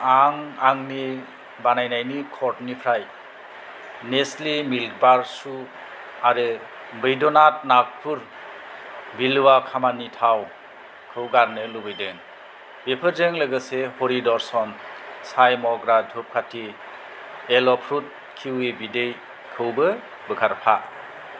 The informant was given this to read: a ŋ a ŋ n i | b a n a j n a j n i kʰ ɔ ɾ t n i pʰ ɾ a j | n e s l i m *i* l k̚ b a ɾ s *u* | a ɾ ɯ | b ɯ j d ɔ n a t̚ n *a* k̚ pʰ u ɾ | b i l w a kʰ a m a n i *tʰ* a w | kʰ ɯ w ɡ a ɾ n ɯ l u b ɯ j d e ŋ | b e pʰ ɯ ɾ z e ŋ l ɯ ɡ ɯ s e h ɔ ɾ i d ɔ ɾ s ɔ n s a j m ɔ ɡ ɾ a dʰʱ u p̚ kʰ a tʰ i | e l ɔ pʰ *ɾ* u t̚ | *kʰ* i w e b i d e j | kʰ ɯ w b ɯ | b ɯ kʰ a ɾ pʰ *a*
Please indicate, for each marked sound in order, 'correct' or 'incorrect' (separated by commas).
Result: correct, correct, correct, correct, correct, correct, correct